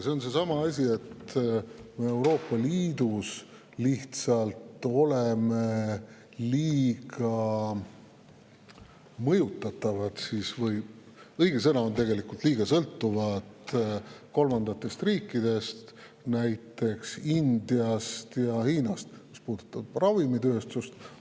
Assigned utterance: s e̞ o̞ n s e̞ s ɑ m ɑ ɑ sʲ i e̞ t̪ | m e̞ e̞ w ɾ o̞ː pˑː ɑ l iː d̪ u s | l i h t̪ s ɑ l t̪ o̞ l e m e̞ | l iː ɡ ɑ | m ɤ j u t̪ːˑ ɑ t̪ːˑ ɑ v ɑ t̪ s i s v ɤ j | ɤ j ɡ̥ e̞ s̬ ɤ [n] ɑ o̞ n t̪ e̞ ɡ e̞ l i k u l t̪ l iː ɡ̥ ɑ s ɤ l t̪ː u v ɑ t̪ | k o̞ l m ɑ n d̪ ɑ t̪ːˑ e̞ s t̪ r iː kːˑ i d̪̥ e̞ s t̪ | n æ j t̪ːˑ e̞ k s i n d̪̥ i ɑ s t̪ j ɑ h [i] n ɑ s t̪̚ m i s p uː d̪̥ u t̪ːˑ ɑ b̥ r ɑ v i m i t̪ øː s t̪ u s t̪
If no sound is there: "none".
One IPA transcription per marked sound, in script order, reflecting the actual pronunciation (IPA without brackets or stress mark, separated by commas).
n, iː